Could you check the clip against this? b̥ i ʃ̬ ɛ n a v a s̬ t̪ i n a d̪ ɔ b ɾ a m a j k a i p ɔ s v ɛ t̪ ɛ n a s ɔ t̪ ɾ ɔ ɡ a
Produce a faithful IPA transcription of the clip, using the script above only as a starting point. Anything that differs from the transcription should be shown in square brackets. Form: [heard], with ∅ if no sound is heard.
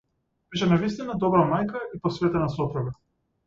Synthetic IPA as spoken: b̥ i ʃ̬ ɛ n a v [i] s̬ t̪ i n a d̪ ɔ b ɾ a m a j k a i p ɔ s v ɛ t̪ ɛ n a s ɔ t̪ ɾ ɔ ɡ a

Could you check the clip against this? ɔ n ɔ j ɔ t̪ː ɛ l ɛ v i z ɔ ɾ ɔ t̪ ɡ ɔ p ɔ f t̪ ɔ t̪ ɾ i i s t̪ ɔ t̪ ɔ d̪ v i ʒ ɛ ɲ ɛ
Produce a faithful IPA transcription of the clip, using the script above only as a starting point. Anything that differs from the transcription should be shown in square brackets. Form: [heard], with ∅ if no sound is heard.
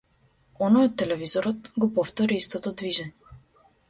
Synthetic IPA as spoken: ɔ n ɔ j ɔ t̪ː ɛ l ɛ v i z ɔ ɾ ɔ t̪ ɡ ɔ p ɔ f t̪ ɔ [∅] ɾ i i s t̪ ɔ t̪ ɔ d̪ v i ʒ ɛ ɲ ɛ

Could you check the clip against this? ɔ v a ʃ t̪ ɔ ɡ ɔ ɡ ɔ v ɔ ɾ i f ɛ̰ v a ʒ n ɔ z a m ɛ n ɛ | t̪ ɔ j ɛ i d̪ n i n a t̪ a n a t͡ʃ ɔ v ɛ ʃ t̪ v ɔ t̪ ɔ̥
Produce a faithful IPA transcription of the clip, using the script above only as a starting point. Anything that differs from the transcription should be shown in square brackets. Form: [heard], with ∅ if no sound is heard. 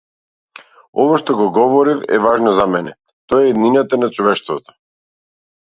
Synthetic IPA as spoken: ɔ v a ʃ t̪ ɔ ɡ ɔ ɡ ɔ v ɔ ɾ i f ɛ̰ v a ʒ n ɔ z a m ɛ n ɛ | t̪ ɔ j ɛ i d̪ n i n a t̪ a n a t͡ʃ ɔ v ɛ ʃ t̪ v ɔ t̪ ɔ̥

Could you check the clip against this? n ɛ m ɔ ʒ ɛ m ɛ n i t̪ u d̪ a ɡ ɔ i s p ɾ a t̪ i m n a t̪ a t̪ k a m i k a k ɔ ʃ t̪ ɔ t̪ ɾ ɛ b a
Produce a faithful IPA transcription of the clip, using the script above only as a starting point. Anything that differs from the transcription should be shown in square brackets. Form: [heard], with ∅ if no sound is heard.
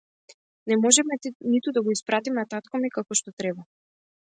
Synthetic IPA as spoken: n ɛ m ɔ ʒ ɛ m ɛ n i t̪ u d̪ a ɡ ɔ i s p ɾ a t̪ i m n a t̪ a t̪ k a m i k a k ɔ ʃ t̪ ɔ t̪ ɾ ɛ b a

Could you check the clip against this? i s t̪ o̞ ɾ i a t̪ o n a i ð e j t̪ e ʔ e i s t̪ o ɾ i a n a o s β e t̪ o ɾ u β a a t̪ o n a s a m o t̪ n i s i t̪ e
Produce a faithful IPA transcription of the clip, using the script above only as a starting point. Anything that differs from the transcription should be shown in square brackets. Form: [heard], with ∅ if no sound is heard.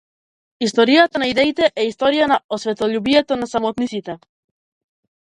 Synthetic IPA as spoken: i s t̪ o̞ ɾ i a t̪ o n a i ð e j t̪ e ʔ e i s t̪ o ɾ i a n a o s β e t̪ o [ʎ] u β [i] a t̪ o n a s a m o t̪ n i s i t̪ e

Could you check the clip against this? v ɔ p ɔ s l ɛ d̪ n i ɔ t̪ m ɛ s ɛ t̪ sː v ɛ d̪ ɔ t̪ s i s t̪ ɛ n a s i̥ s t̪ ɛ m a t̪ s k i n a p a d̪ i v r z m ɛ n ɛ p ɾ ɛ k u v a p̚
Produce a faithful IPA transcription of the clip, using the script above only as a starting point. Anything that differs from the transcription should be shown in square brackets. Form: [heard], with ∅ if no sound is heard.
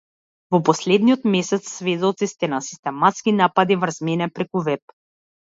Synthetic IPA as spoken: v ɔ p ɔ s l ɛ d̪ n i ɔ t̪ m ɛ s ɛ t̪ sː v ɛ d̪ ɔ t̪ s i s t̪ ɛ n a s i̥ s t̪ ɛ m a t̪ s k i n a p a d̪ i v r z m ɛ n ɛ p ɾ ɛ k u v [ɛ] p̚

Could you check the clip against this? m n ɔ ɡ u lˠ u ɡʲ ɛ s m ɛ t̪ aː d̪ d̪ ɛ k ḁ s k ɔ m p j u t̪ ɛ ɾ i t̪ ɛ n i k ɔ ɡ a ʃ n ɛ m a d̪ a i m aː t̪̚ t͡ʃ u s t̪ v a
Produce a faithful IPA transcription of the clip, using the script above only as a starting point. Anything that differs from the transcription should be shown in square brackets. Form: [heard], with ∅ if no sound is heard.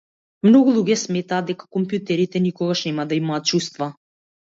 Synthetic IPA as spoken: m n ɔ ɡ u lˠ u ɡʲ ɛ s m ɛ t̪ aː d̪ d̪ ɛ k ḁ [∅] k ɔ m p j u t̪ ɛ ɾ i t̪ ɛ n i k ɔ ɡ a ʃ n ɛ m a d̪ a i m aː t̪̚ t͡ʃ u s t̪ v a

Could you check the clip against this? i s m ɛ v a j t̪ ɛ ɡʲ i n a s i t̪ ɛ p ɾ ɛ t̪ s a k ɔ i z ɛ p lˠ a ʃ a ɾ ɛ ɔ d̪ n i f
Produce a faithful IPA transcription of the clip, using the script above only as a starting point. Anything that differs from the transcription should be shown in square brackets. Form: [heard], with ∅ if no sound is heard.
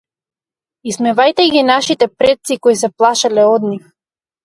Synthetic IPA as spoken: i s m ɛ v a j t̪ ɛ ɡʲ i n a [ʃ] i t̪ ɛ p ɾ ɛ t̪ s [i] k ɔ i [s] ɛ p lˠ a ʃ a [l] ɛ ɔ d̪ n i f

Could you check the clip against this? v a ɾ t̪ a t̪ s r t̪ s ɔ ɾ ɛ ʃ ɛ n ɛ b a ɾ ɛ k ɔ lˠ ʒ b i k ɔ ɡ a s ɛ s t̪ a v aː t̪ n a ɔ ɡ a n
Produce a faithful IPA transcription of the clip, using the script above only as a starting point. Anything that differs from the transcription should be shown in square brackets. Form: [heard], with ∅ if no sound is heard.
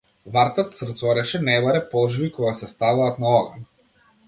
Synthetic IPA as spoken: v a ɾ t̪ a t̪ s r t̪ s ɔ ɾ ɛ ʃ ɛ n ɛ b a ɾ ɛ [p] ɔ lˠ ʒ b i k ɔ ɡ a s ɛ s t̪ a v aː t̪ n a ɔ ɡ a n

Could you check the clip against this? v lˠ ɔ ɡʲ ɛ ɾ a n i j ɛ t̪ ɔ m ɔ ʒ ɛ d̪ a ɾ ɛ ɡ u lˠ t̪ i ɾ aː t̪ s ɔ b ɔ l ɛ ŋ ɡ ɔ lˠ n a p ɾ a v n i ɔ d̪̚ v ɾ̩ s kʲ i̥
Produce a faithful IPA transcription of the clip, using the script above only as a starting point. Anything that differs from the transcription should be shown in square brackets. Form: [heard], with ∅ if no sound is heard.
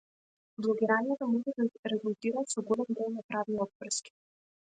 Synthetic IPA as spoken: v lˠ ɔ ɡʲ [i] ɾ a n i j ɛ t̪ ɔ m ɔ ʒ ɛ d̪ a ɾ ɛ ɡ u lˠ t̪ i ɾ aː t̪ s ɔ [ɡ] ɔ l ɛ [m] ɡ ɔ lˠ n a p ɾ a v n i ɔ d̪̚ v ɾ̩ s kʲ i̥

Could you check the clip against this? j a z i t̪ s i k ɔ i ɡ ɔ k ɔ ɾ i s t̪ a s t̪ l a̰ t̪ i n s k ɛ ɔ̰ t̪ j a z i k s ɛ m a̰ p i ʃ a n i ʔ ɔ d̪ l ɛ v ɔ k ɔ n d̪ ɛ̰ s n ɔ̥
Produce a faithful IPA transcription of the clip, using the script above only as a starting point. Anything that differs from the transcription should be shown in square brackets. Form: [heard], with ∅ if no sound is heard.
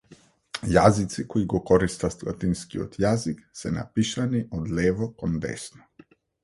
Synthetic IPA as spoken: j a z i t̪ s i k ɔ i ɡ ɔ k ɔ ɾ i s t̪ a s t̪ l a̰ t̪ i n s k [i] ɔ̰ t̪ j a z i k s ɛ [n] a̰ p i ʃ a n i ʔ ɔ d̪ l ɛ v ɔ k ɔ n d̪ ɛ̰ s n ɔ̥

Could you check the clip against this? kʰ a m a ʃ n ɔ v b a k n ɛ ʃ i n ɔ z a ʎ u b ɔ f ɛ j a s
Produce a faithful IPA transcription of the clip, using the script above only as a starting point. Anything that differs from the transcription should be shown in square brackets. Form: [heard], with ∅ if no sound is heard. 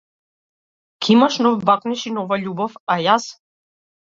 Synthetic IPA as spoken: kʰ [i] m a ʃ n ɔ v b a k n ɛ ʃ i n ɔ [v] a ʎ u b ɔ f [a] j a s

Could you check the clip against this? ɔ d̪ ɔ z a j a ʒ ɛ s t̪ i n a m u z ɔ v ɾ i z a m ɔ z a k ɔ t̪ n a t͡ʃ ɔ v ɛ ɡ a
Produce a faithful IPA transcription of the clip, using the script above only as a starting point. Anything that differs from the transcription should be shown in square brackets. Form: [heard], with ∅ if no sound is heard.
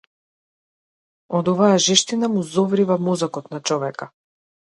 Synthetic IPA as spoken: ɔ d̪ ɔ [v] a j a ʒ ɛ [ʃ] t̪ i n a m u z ɔ v ɾ i [v] a m ɔ z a k ɔ t̪ n a t͡ʃ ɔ v ɛ [k] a

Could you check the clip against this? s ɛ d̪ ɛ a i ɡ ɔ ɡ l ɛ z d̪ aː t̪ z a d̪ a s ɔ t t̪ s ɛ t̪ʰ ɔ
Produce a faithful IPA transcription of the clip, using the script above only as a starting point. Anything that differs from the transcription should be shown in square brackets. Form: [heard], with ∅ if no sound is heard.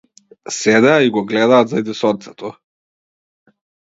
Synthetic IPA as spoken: s ɛ d̪ ɛ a i ɡ ɔ ɡ l ɛ [∅] d̪ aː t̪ z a d̪ [i] s ɔ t t̪ s ɛ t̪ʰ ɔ

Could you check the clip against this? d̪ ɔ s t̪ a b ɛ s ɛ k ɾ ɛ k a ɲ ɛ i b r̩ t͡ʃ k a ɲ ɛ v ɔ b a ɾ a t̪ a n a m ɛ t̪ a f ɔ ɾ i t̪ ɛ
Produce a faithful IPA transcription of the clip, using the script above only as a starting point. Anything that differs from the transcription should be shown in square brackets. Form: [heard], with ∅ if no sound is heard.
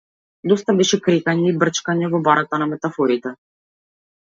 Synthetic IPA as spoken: d̪ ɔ s t̪ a b ɛ [ʃ] ɛ k ɾ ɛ k a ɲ ɛ i b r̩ t͡ʃ k a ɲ ɛ v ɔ b a ɾ a t̪ a n a m ɛ t̪ a f ɔ ɾ i t̪ ɛ

